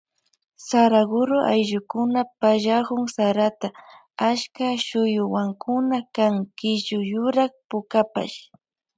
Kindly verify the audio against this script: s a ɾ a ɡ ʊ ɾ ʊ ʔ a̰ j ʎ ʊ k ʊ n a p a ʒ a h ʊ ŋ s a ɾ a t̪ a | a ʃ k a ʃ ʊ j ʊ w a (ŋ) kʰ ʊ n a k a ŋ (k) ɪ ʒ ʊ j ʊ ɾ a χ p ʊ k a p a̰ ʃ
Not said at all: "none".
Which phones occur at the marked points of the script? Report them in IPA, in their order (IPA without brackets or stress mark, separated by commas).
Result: ŋ, k